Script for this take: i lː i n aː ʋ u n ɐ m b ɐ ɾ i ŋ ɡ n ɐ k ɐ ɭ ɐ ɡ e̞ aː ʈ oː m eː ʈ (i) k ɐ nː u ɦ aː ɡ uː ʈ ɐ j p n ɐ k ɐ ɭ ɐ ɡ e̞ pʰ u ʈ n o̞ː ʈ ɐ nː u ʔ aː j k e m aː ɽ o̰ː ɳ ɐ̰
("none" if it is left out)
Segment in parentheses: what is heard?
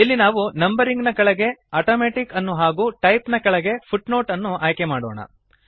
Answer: i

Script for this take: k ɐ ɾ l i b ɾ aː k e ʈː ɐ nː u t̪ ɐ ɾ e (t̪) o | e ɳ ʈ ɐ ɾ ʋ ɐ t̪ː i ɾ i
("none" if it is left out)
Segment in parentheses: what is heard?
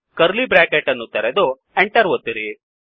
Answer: d̪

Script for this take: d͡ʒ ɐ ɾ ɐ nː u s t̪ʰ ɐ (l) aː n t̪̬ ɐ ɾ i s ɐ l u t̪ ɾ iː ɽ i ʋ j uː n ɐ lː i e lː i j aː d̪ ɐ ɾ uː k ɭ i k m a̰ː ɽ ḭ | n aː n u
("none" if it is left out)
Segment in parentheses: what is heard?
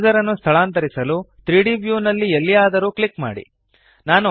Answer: ɭ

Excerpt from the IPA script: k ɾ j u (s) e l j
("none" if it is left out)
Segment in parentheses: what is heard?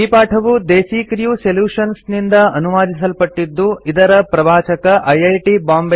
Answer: s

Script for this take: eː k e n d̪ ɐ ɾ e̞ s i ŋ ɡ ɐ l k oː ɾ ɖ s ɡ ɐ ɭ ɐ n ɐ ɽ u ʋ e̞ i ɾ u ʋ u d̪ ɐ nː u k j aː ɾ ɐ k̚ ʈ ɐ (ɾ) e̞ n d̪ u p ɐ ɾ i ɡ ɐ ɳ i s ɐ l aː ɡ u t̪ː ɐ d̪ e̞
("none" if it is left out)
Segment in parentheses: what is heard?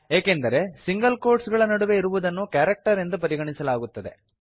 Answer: ɾ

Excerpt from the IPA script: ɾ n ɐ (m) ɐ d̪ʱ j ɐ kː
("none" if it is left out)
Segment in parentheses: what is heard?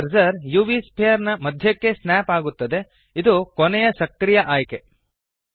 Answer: m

